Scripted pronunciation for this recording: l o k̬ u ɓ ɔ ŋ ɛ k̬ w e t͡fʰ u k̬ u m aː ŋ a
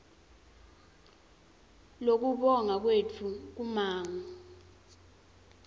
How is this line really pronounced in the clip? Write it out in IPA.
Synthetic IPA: l o k̬ u ɓ ɔ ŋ a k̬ w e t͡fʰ u k̬ u m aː ŋ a